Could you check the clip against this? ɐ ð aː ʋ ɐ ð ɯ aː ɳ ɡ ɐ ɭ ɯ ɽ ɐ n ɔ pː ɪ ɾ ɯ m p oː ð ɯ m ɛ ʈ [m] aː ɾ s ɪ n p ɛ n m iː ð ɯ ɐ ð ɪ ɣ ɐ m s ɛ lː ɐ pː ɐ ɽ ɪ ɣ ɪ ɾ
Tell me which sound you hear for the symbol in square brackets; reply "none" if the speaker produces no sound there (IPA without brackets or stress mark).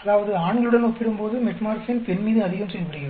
m